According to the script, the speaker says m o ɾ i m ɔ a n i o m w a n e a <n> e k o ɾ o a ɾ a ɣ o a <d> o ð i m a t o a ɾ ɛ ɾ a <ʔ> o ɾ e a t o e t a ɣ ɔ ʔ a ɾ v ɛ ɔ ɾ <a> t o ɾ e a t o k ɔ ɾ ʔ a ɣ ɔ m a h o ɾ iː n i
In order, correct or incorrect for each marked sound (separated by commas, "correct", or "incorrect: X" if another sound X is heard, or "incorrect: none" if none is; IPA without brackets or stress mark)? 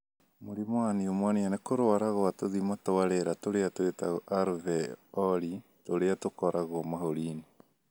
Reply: correct, incorrect: t, incorrect: t, incorrect: i